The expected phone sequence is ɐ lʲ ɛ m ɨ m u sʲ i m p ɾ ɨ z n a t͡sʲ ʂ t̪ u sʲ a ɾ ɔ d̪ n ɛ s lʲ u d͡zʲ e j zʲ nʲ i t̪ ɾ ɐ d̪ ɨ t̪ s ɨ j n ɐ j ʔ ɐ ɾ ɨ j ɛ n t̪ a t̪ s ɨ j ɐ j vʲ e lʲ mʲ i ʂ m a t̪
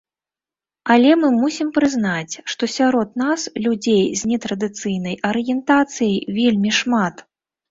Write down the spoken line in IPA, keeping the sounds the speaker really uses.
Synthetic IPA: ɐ lʲ ɛ m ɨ m u sʲ i m p ɾ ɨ z n a t͡sʲ ʂ t̪ ɔ sʲ a ɾ ɔ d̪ n a s lʲ u d͡zʲ e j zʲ nʲ ɛ t̪ ɾ ɐ d̪ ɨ t̪ s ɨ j n ɐ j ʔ ɐ ɾ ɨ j ɛ n t̪ a t̪ s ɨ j ɐ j vʲ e lʲ mʲ i ʂ m a t̪

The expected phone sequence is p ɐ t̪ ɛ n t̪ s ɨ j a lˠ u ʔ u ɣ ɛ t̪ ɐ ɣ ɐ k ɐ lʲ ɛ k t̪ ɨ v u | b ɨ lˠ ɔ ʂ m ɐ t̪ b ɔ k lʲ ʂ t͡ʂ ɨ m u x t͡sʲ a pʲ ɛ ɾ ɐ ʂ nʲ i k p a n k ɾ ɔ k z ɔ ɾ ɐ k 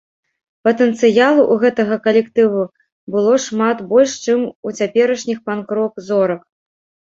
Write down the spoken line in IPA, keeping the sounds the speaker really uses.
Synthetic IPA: p ɐ t̪ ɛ n t̪ s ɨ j a lˠ u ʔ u ɣ ɛ t̪ ɐ ɣ ɐ k ɐ lʲ ɛ k t̪ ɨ v u | b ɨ lˠ ɔ ʂ m a t̪ b ɔ lʲ ʂ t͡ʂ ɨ m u t͡sʲ a pʲ ɛ ɾ ɐ ʂ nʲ i x p a n k ɾ ɔ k z ɔ ɾ ɐ k

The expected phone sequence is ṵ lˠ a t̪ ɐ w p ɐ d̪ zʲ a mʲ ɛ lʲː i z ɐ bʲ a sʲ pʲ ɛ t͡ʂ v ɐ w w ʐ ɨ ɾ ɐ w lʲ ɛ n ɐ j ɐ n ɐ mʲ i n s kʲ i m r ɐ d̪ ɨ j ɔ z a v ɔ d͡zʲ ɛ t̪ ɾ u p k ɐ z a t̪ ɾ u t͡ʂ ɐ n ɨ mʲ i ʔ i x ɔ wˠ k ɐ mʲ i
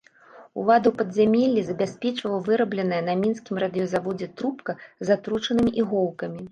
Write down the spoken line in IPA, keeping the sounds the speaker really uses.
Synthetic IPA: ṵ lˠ a d̪ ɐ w p ɐ d̪ zʲ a mʲ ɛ lʲː i z ɐ bʲ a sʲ pʲ ɛ t͡ʂ v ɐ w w v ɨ ɾ ɐ b lʲ ɛ n ɐ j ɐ n ɐ mʲ i n s kʲ i m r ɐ d̪ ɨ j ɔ z a v ɔ d͡zʲ ɛ t̪ ɾ u p k ɐ z a t̪ ɾ u t͡ʂ ɐ n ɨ mʲ i ʔ i ɣ ɔ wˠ k ɐ mʲ i

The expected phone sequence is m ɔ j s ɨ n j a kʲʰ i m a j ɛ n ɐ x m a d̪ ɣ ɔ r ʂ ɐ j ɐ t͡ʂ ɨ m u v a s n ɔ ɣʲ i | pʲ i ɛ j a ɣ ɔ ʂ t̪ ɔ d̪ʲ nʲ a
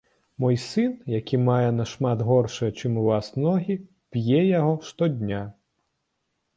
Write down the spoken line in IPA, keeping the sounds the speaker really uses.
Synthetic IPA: m ɔ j s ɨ n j a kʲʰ i m a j ɛ n ɐ ʂ m a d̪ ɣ ɔ r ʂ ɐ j ɐ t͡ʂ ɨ m u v a s n ɔ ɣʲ i | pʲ j ɛ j a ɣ ɔ ʂ t̪ ɔ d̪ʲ nʲ a

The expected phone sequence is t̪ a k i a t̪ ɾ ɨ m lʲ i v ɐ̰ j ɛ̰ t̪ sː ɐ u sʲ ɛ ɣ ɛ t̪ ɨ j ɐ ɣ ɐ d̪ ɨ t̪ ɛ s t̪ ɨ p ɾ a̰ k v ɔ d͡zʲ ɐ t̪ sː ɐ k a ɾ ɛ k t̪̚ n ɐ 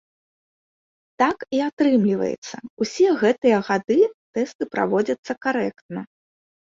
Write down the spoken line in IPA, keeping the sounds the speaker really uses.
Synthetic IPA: t̪ a k i a t̪ ɾ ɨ m lʲ i v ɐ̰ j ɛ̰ t̪ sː ɐ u sʲ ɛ ɣ ɛ t̪ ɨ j ɐ ɣ a d̪ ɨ t̪ ɛ s t̪ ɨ p ɾ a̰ v ɔ d͡zʲ ɐ t̪ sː ɐ k a ɾ ɛ k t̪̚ n ɐ

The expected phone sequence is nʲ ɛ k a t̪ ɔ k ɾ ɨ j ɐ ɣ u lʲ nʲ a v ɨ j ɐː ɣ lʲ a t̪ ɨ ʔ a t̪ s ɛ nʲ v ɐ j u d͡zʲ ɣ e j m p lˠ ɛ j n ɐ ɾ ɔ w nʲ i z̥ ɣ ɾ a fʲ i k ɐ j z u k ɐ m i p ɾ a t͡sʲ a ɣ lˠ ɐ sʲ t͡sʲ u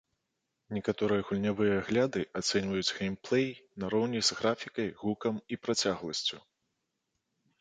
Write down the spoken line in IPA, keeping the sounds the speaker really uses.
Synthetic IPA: nʲ ɛ k a t̪ ɔ ɾ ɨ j ɐ ɣ u lʲ nʲ a v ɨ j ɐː ɣ lʲ a d̪ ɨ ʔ a t̪ s ɛ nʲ v ɐ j u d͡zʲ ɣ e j m p lˠ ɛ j n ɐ ɾ ɔ w nʲ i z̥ ɣ ɾ a fʲ i k ɐ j ɣ u k ɐ m i p ɾ a t͡sʲ a ɣ lˠ ɐ sʲ t͡sʲ u

